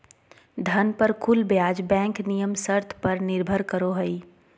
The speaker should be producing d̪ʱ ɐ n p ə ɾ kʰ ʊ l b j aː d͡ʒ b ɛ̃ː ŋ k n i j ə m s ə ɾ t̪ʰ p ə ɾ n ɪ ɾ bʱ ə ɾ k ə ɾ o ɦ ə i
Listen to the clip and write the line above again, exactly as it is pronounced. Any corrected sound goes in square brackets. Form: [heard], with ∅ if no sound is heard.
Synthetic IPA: d̪ʱ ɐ n p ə ɾ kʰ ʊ l b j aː d͡ʒ b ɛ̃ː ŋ k n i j ə m s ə ɾ t̪ʰ p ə ɾ n ɪ ɾ bʱ ə ɾ k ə ɾ o ɦ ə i